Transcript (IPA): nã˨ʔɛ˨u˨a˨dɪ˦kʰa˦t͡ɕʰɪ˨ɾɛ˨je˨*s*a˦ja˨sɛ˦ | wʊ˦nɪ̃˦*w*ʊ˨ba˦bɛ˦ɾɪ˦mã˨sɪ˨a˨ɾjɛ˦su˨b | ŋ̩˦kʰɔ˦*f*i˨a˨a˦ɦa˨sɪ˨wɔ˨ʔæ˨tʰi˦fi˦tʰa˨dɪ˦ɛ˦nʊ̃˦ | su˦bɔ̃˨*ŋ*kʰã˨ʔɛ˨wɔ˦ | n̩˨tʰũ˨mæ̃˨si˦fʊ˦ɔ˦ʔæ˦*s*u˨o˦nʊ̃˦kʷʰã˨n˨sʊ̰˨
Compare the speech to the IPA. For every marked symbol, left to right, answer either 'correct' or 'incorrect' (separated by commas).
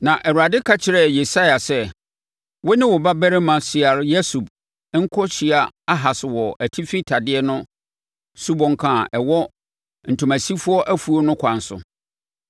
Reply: correct, correct, incorrect, correct, incorrect